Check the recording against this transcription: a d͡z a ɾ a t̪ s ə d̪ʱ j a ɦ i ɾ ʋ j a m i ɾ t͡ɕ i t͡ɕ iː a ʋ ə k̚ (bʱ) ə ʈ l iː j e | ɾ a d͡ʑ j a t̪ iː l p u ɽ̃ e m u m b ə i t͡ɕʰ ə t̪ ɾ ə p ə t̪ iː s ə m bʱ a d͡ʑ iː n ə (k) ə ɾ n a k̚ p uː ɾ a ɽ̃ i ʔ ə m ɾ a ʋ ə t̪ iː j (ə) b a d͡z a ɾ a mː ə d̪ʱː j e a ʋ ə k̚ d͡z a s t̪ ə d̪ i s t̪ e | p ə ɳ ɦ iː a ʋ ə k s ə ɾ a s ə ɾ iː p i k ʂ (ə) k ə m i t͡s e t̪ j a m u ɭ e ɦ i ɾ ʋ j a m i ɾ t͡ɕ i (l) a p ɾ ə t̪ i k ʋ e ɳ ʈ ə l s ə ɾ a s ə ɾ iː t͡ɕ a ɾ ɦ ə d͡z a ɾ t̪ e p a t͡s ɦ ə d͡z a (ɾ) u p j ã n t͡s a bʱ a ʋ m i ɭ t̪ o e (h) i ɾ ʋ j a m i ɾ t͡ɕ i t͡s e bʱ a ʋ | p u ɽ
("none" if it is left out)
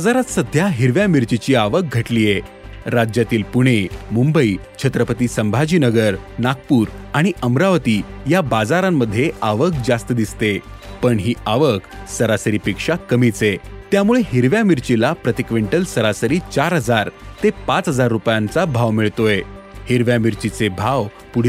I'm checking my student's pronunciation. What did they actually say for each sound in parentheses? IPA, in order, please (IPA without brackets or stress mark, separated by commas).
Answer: ɡʱ, ɡ, a, a, l, ɾː, h